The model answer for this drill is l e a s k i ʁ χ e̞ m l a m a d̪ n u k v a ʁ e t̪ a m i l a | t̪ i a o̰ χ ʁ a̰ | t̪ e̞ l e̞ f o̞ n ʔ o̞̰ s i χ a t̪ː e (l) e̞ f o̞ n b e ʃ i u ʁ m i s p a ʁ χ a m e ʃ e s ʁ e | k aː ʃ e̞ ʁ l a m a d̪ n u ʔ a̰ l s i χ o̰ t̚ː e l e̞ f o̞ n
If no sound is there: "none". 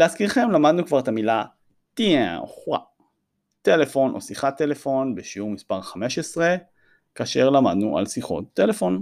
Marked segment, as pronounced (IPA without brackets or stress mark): l